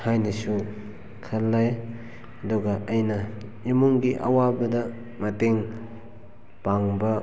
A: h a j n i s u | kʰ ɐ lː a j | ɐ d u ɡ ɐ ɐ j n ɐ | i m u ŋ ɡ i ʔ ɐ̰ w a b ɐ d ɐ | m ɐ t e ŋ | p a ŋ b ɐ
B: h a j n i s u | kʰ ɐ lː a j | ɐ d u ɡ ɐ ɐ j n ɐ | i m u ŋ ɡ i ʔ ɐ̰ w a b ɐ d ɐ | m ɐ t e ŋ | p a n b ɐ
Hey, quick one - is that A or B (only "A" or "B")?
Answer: A